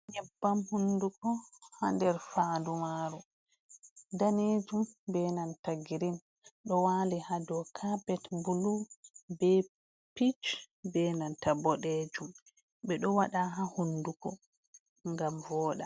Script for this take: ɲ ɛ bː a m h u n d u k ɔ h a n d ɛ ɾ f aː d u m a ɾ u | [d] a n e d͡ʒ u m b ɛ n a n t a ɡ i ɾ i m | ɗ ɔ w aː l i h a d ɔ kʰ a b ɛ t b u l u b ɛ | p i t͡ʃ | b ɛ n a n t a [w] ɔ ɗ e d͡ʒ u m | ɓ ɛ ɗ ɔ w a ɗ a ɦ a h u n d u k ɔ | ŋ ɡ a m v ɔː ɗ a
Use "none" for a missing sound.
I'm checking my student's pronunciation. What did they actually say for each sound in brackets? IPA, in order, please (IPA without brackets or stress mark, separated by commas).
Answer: d, b